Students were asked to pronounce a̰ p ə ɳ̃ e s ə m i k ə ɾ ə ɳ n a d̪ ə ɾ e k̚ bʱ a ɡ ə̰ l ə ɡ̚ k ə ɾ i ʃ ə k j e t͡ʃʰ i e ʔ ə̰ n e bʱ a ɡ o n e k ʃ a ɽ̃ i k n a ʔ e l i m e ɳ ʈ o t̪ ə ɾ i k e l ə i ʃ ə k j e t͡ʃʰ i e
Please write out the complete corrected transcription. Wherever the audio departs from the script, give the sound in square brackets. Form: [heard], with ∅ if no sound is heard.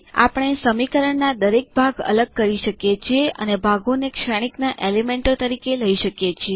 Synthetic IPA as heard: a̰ p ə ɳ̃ e s ə m i k ə ɾ ə ɳ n a d̪ ə ɾ e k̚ bʱ a ɡ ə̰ l ə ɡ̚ k ə ɾ i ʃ ə k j e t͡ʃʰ i e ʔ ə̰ n e bʱ a ɡ o n e k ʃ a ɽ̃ i k n a ʔ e l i m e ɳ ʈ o t̪ ə ɾ i k e l ə i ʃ ə k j e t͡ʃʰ i e